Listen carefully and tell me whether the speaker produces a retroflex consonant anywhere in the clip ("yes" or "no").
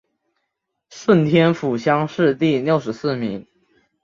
yes